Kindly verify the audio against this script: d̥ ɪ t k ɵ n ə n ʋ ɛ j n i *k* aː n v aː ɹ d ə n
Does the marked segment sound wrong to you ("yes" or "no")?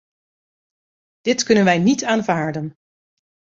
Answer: yes